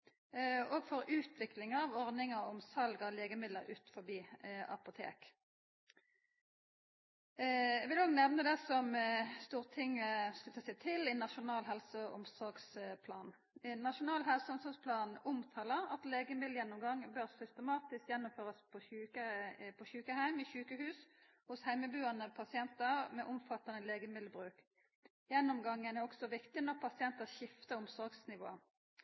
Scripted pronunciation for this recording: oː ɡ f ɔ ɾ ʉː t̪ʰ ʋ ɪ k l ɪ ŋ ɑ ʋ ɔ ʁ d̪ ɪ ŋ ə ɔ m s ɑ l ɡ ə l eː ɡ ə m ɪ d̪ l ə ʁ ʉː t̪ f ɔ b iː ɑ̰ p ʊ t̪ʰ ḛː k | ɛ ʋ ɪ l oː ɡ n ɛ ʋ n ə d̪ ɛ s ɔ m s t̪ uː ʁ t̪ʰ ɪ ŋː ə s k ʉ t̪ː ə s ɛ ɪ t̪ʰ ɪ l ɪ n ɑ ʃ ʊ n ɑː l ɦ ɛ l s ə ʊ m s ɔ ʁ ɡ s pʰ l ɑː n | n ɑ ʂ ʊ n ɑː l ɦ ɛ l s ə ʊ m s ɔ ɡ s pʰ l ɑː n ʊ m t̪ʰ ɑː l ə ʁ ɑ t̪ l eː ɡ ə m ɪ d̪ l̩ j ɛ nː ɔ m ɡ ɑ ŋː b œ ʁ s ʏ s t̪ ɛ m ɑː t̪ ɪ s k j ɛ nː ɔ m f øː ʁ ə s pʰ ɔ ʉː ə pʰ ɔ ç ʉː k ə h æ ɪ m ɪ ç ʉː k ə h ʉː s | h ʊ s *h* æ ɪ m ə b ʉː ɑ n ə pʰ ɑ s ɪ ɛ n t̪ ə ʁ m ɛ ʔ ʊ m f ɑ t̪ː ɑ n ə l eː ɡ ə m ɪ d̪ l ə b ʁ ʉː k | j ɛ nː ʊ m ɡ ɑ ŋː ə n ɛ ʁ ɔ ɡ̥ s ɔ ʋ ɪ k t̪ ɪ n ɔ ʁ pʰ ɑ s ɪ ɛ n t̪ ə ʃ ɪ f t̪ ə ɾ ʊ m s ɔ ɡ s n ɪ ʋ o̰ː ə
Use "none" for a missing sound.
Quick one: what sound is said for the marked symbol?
h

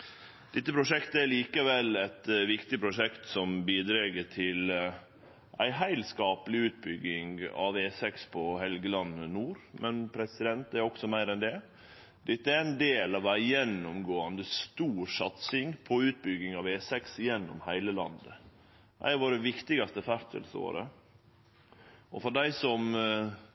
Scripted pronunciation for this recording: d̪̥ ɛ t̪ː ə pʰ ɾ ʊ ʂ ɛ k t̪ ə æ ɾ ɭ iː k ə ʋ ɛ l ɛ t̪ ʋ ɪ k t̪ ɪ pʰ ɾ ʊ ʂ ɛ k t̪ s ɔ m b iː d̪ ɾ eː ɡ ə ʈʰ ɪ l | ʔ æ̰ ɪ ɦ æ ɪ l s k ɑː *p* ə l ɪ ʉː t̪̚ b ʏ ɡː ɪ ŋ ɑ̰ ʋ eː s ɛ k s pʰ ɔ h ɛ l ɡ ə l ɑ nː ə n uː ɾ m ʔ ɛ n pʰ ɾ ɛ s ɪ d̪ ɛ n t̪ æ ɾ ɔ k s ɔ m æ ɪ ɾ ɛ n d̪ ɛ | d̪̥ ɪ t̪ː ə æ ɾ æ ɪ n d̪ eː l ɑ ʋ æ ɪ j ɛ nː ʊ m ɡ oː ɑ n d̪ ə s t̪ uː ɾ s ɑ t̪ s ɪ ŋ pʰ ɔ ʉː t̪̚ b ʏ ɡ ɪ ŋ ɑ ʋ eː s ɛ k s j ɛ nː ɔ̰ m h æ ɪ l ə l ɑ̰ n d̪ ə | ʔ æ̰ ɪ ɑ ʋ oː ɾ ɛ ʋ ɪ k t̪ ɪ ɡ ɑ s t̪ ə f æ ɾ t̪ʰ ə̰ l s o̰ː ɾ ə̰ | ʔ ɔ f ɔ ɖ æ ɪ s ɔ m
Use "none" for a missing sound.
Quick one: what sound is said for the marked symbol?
p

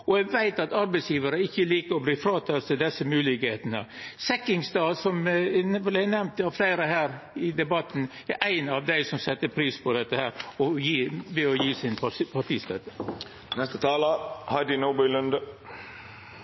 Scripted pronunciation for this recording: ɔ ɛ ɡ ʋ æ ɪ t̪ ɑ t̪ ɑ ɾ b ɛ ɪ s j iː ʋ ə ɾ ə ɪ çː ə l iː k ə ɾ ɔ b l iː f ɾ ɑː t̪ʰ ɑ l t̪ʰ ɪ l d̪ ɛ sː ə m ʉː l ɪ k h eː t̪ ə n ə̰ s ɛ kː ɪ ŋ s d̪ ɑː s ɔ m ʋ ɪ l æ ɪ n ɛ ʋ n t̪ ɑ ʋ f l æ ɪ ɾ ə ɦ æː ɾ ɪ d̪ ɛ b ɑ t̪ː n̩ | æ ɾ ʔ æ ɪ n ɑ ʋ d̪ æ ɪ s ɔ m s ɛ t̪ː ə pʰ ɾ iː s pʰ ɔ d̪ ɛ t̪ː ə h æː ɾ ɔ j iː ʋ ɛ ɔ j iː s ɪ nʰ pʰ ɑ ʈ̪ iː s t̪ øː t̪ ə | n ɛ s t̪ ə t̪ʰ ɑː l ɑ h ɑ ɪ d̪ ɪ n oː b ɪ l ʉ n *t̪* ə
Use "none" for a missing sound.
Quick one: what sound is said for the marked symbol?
d̪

